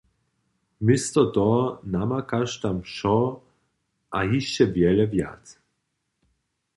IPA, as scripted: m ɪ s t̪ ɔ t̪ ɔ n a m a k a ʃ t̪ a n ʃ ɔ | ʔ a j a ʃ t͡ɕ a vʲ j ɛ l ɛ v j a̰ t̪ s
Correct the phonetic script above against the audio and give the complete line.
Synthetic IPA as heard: m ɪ s t̪ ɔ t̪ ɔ n a m a k a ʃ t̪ a m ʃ ɔ | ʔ a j i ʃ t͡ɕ ɛ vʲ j ɛ l ɛ v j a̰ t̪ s